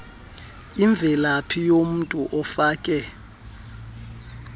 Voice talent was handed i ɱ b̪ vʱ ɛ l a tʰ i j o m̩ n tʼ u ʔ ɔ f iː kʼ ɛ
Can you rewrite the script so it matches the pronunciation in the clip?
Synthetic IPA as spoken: i ɱ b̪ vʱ ɛ l a pʰ i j o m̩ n tʼ u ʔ ɔ f aː kʼ ɛ